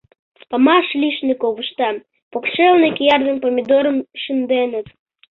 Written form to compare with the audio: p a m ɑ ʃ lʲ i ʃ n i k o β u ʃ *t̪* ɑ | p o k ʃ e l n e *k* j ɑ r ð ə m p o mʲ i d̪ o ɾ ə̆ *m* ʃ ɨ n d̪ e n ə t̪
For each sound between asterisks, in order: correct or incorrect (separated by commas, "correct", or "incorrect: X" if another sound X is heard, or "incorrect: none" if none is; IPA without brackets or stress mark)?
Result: correct, correct, correct